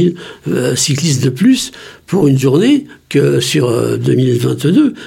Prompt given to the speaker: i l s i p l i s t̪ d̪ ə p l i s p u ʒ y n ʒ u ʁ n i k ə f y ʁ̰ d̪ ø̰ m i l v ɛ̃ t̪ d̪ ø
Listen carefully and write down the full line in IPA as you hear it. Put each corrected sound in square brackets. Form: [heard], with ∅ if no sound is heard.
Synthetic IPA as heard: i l s i [k] l i s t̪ d̪ ə p l [y] s p u [ʁ] y n ʒ u ʁ n [e] k ə [s] y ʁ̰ d̪ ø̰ m i l v ɛ̃ t̪ d̪ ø